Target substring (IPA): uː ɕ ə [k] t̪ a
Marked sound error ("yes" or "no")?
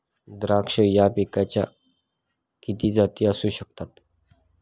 no